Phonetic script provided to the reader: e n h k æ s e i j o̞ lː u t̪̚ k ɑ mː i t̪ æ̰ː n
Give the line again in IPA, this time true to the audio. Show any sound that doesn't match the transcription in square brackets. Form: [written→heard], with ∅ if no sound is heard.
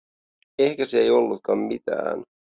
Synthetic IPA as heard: e [n→∅] h k æ s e [i→e] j o̞ lː u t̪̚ k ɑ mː i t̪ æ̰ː n